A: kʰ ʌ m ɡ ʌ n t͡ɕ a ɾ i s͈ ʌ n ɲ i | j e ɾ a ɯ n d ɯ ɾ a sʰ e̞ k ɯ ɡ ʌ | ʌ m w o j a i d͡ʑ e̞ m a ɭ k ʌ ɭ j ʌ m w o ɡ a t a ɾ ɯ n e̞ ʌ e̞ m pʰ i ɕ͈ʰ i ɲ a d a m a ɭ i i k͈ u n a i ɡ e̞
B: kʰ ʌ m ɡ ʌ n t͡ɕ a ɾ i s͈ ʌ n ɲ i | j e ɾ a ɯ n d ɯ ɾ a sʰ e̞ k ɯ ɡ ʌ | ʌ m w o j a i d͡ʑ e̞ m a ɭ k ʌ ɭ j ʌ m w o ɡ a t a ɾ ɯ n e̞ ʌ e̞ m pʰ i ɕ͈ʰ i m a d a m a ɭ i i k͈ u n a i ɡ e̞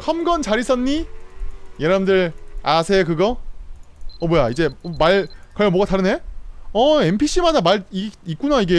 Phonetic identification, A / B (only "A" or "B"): B